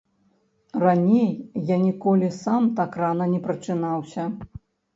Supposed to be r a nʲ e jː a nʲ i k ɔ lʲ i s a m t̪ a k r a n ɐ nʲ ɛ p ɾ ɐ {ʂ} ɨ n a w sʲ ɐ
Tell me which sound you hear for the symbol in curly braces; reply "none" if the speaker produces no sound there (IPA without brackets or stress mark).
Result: t͡ʂ